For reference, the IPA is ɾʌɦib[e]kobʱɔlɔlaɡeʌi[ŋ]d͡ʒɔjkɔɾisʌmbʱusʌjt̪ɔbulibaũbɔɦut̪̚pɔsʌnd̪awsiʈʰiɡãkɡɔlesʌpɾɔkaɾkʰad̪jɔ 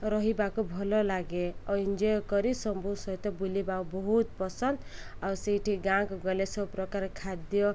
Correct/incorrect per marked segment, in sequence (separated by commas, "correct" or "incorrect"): incorrect, incorrect